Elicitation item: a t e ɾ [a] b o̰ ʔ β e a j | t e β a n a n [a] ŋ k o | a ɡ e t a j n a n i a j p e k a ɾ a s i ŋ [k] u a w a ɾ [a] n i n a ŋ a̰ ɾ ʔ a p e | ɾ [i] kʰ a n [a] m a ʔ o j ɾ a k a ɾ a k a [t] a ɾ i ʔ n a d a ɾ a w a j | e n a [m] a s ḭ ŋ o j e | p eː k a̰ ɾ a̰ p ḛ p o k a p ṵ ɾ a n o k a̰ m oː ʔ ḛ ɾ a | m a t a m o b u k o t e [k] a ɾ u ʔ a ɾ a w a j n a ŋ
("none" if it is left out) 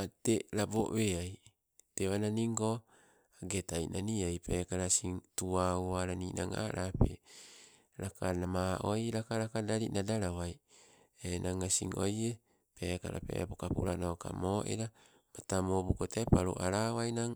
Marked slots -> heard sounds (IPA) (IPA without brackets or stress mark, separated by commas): a, i, t, a, a, a, d, ŋ, p